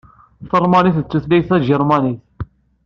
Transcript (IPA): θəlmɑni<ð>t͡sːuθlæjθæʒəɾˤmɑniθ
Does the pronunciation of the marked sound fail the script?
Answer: yes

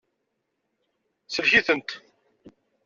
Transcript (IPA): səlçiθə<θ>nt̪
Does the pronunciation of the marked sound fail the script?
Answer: yes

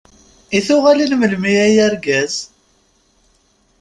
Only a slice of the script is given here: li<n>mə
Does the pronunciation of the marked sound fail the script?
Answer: no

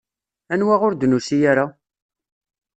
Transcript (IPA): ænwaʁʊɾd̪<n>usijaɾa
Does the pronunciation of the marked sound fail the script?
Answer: no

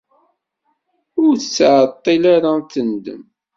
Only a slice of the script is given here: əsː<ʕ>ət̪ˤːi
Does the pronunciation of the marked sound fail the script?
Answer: no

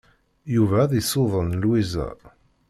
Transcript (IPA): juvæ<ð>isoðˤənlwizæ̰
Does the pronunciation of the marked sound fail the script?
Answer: no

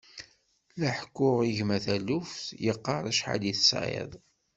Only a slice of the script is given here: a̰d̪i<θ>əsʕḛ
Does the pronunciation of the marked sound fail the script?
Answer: no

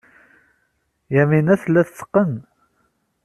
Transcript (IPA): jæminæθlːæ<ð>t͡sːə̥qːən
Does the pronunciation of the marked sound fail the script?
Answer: yes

